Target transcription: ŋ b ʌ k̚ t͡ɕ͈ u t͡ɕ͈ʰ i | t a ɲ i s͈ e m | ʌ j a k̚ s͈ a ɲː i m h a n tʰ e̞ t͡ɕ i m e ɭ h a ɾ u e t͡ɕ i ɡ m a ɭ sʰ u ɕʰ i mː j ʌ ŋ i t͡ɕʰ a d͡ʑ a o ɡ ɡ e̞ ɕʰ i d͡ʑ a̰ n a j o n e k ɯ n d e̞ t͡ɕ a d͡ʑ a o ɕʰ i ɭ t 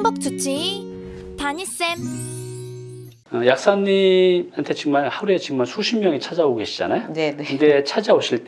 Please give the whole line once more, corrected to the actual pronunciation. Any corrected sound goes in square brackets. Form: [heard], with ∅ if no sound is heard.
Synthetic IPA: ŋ b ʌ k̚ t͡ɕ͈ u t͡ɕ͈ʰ i | t a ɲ i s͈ e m | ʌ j a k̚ s͈ a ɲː i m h a n tʰ e̞ t͡ɕ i m [a] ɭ h a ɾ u e t͡ɕ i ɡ m a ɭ sʰ u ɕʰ i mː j ʌ ŋ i t͡ɕʰ a d͡ʑ a o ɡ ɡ e̞ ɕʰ i d͡ʑ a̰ n a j o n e k ɯ n d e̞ [t͡ɕʰ] a d͡ʑ a o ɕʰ i ɭ t